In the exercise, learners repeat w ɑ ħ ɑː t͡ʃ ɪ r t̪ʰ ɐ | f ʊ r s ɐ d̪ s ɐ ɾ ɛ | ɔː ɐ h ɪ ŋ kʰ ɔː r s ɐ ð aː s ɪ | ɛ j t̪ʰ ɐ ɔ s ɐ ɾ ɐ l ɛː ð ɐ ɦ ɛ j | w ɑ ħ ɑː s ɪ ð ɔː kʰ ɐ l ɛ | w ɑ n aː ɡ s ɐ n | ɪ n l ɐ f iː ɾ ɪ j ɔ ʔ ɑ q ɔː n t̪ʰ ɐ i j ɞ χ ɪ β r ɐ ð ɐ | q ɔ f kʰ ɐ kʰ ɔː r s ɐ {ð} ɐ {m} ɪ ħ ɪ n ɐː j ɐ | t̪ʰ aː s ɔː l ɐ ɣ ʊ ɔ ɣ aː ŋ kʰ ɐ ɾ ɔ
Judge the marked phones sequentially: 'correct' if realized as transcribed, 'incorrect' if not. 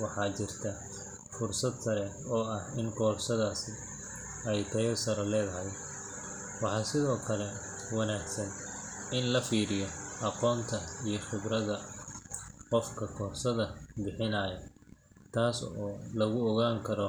correct, incorrect: b

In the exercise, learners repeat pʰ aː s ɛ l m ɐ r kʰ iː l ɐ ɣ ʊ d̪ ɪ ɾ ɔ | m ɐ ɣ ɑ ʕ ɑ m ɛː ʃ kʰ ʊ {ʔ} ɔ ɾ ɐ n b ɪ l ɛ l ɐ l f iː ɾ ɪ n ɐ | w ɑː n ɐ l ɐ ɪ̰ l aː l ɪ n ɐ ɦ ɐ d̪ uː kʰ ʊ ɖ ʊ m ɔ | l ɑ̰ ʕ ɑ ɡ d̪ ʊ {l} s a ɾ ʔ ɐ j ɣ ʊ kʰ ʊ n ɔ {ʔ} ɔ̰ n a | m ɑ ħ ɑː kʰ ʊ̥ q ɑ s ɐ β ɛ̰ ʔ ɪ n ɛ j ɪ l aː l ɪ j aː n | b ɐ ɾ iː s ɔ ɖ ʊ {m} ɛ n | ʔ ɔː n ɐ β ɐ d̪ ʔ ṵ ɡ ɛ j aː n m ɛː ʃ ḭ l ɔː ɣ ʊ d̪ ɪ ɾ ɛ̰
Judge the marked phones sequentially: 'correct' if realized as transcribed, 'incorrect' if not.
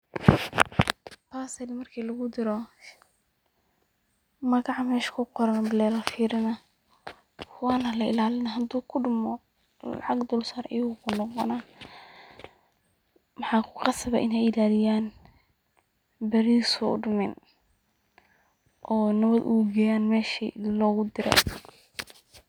incorrect: q, correct, incorrect: q, correct

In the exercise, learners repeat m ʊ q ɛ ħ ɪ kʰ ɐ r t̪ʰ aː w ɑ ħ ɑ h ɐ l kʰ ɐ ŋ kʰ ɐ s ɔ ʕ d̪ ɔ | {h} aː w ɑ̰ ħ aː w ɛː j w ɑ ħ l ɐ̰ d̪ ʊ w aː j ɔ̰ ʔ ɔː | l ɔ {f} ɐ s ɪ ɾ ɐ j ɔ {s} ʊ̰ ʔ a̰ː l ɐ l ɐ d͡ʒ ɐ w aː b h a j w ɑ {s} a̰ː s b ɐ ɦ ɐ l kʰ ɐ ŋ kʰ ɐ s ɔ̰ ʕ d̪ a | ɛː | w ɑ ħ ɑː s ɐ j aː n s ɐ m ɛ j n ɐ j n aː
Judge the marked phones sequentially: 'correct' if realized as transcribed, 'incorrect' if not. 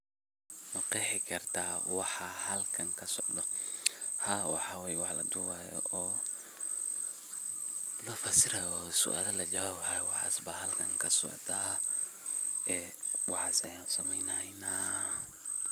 correct, correct, correct, incorrect: ħ

